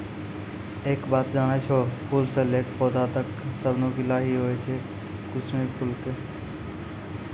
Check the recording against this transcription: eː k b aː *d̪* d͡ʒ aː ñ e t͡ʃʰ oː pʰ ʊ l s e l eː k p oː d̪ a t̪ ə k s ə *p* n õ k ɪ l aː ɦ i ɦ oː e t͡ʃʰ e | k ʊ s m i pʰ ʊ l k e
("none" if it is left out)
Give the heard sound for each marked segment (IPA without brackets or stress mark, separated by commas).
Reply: t̪, b